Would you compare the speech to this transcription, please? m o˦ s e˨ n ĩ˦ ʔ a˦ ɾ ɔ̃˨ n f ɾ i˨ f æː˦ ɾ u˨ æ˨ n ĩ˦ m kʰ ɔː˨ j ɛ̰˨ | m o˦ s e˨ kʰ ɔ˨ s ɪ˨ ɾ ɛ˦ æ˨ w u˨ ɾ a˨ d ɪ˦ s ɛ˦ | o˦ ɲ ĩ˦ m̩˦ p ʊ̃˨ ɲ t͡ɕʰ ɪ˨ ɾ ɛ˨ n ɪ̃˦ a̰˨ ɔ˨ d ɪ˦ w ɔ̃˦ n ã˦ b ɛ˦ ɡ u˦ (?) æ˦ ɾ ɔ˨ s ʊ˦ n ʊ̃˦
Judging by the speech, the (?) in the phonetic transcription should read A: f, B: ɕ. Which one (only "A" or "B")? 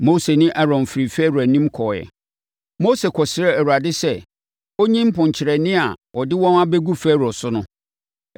A